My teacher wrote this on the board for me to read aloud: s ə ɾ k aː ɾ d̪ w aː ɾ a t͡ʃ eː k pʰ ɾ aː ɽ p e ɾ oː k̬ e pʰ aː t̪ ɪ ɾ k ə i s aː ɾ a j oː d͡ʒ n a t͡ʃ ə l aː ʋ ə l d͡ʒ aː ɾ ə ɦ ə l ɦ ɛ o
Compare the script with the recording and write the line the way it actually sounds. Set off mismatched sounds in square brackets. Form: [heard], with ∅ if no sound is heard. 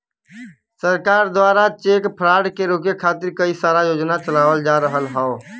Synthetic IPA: s ə ɾ k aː ɾ d̪ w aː ɾ a t͡ʃ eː k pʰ ɾ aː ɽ [k] e ɾ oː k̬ e [kʰ] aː t̪ ɪ ɾ k ə i s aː ɾ a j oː d͡ʒ n a t͡ʃ ə l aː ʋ ə l d͡ʒ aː ɾ ə ɦ ə l ɦ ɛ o